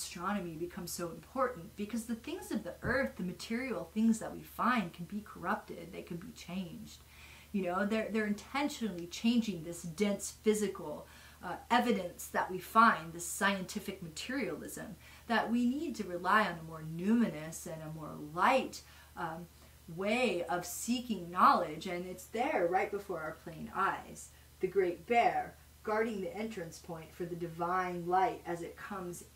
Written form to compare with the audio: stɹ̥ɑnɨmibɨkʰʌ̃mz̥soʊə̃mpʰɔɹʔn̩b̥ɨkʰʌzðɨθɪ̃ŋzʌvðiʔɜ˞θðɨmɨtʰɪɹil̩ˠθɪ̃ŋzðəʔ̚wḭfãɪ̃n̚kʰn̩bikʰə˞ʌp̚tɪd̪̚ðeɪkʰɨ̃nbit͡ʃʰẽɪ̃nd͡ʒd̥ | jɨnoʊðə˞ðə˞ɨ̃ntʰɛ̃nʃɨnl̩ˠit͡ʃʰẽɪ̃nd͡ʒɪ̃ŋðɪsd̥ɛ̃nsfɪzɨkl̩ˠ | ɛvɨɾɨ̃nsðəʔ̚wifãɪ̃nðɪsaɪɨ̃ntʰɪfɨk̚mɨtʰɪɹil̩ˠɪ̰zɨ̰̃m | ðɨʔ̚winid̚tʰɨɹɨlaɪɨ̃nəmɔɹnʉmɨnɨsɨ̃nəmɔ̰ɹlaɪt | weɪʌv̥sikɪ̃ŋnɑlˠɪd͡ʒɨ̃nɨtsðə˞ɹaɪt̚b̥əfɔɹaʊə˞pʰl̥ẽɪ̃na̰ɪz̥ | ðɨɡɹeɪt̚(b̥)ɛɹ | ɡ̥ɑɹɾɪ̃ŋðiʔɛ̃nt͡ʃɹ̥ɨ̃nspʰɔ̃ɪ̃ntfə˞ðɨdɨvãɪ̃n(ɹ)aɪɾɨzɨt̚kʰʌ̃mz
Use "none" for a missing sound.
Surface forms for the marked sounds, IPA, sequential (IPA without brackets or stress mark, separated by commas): b̥, l